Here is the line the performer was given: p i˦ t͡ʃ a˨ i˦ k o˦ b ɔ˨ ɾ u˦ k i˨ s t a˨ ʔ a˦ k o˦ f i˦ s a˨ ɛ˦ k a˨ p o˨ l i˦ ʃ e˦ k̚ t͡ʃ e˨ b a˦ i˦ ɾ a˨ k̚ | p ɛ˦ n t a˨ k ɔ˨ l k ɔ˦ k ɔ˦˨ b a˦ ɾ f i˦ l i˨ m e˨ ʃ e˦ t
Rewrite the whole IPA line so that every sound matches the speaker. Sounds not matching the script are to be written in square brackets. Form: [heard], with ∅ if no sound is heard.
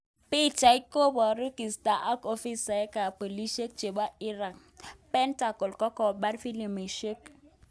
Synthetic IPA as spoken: p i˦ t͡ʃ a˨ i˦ k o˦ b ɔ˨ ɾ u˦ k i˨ s t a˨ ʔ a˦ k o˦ f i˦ s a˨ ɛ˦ k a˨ p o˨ l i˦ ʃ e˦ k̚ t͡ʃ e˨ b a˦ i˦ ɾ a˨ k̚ | p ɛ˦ n t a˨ k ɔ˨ l k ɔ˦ k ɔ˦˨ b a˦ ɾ f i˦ l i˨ m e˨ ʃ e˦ [k]